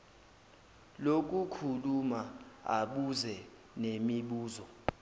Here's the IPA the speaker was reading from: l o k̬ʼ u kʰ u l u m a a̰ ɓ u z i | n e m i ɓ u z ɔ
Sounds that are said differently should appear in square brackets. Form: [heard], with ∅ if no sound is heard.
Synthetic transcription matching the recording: l o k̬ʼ u kʰ u l u m a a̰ ɓ u z [ɛ] | n e m i ɓ [uː] z ɔ